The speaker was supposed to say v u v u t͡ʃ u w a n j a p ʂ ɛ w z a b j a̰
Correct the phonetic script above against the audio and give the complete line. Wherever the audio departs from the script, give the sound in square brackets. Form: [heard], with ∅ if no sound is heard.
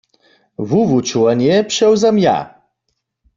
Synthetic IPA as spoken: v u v u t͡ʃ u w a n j [ɛ] p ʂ ɛ w z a [m] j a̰

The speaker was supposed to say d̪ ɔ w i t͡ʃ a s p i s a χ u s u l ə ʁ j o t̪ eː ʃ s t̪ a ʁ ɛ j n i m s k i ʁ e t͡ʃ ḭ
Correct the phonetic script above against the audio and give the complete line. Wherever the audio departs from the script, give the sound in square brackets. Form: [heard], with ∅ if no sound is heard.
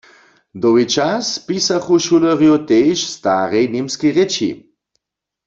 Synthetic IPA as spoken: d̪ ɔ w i t͡ʃ a s p i s a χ u [ʃ] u l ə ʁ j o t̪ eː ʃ s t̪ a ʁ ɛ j n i m s k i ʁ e t͡ʃ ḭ

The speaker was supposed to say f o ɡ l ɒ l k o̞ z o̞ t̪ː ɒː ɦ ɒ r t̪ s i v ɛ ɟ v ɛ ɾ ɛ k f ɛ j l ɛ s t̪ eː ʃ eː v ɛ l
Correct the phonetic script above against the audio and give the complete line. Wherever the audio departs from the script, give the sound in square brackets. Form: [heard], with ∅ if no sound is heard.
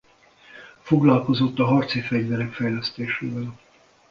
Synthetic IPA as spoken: f o ɡ l ɒ l k o̞ z o̞ t̪ː [ɒ] ɦ ɒ r t̪ s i [f] ɛ ɟ v ɛ ɾ ɛ k f ɛ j l ɛ s t̪ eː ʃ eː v ɛ l

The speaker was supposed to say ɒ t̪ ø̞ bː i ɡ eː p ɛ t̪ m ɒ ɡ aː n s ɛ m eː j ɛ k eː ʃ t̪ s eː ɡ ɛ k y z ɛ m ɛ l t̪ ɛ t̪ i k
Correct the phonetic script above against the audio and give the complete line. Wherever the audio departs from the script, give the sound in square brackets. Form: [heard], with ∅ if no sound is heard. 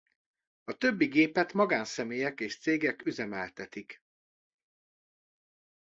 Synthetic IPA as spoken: ɒ t̪ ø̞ bː i ɡ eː p ɛ t̪ m ɒ ɡ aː n s ɛ m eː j ɛ k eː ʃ t̪ s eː ɡ ɛ k y z ɛ m ɛ l t̪ ɛ t̪ i k

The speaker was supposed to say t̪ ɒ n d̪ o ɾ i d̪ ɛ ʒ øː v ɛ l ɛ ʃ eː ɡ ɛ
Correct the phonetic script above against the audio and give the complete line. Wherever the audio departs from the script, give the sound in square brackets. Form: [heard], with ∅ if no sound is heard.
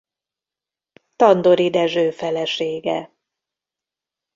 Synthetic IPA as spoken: t̪ ɒ n d̪ o ɾ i d̪ ɛ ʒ øː [f] ɛ l ɛ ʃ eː ɡ ɛ

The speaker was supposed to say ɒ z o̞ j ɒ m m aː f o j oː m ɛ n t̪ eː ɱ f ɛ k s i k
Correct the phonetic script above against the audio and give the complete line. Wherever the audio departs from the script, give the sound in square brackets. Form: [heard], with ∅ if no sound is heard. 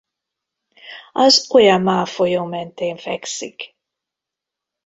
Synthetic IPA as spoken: ɒ z o̞ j ɒ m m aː f o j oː m ɛ n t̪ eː ɱ f ɛ k s i k

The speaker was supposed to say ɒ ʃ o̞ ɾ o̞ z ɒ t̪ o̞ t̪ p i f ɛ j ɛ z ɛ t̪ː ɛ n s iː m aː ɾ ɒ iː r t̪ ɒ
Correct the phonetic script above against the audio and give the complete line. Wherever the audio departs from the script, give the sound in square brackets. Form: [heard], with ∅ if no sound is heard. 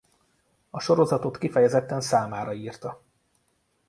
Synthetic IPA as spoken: ɒ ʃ o̞ ɾ o̞ z ɒ t̪ o̞ t̪ [k] i f ɛ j ɛ z ɛ t̪ː ɛ n s [aː] m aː ɾ ɒ iː r t̪ ɒ

